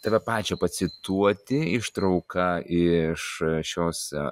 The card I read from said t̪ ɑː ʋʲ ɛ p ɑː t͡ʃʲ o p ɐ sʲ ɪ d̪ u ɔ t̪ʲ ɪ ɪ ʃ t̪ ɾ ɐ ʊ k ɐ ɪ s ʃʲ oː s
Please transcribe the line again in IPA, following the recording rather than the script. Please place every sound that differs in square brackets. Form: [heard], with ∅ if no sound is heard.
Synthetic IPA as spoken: t̪ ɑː ʋʲ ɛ p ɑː t͡ʃʲ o p ɐ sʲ ɪ [t̪] u ɔ t̪ʲ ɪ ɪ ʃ t̪ ɾ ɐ ʊ k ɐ ɪ [ʃ] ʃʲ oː s